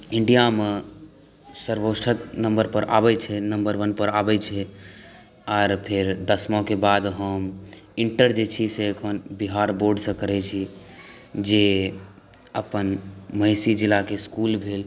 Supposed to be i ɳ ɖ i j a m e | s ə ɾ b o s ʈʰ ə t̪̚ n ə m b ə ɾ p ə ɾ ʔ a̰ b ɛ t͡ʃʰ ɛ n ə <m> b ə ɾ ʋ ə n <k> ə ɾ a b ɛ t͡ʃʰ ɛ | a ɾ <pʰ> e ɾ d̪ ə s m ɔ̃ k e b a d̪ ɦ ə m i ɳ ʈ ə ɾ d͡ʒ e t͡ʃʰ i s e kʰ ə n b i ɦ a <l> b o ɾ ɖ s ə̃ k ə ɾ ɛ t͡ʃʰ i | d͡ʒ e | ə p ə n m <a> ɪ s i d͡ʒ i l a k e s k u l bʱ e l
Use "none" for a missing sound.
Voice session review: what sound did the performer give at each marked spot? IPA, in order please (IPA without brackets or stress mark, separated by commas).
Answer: m, p, pʰ, ɾ, ə